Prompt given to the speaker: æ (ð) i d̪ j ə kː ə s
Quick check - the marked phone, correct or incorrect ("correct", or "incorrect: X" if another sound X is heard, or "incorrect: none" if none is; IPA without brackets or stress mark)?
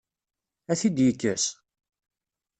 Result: incorrect: θ